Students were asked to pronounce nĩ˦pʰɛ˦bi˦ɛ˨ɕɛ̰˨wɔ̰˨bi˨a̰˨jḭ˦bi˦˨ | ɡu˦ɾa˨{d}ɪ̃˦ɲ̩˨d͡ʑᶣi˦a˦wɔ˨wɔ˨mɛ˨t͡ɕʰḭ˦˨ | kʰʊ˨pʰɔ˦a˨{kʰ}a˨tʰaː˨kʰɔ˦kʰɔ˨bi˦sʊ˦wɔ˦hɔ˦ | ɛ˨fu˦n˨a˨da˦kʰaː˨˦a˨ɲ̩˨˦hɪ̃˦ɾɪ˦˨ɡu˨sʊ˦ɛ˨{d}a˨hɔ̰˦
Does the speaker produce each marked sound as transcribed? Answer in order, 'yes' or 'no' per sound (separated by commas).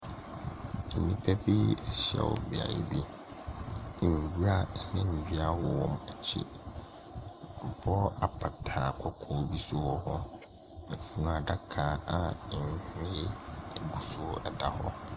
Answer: no, no, yes